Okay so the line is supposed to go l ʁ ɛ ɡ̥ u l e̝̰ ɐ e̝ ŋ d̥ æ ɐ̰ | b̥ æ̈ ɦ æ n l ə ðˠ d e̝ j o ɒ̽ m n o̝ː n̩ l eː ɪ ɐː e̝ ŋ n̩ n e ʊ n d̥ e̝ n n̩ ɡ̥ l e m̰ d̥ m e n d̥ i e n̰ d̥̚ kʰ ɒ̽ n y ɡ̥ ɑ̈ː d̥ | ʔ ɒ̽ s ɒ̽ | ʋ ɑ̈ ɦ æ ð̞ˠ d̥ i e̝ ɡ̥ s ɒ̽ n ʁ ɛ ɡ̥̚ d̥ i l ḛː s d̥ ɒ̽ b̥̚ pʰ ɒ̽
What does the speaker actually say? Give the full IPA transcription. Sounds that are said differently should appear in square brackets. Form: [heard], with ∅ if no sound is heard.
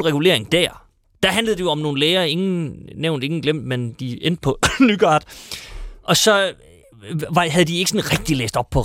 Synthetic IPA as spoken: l ʁ ɛ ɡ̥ u l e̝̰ ɐ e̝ ŋ d̥ æ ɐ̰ | [d̥] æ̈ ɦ æ n l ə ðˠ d e̝ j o ɒ̽ m n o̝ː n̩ l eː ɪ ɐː e̝ ŋ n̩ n e ʊ n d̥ e̝ [ŋ] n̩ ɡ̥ l e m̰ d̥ m e n d̥ i e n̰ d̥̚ [pʰ] ɒ̽ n y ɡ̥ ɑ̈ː d̥ | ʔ ɒ̽ s ɒ̽ | ʋ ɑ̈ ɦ æ ð̞ˠ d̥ i e̝ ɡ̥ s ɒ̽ n ʁ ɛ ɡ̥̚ d̥ i l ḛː s d̥ ɒ̽ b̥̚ pʰ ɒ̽